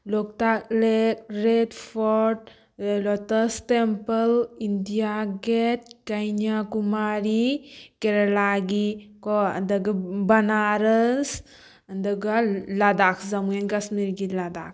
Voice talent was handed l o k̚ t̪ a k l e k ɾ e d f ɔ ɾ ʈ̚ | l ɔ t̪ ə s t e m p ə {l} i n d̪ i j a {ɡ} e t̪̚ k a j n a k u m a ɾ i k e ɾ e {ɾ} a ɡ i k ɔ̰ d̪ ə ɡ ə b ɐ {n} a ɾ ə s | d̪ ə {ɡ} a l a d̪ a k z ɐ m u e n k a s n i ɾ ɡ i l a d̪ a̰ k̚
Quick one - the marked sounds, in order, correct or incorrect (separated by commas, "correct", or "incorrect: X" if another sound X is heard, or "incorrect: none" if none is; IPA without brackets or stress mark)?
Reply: correct, correct, incorrect: l, correct, correct